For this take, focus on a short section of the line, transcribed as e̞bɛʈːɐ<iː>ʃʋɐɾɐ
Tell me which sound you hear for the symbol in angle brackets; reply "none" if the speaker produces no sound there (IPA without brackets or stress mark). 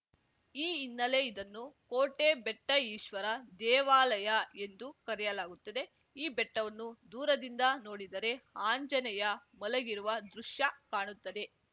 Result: iː